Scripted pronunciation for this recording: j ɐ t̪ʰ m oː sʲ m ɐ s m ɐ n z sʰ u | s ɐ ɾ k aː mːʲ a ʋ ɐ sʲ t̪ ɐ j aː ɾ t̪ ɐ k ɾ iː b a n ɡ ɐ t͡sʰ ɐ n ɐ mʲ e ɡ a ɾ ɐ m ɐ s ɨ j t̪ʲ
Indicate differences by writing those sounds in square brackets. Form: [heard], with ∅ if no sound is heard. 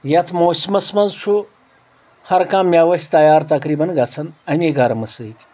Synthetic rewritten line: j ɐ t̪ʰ m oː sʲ m ɐ s m ɐ n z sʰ u | [h] ɐ ɾ k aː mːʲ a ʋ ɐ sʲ t̪ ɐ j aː ɾ t̪ ɐ k ɾ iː b [ɐ] n ɡ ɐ t͡sʰ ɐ n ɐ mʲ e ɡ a ɾ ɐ m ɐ s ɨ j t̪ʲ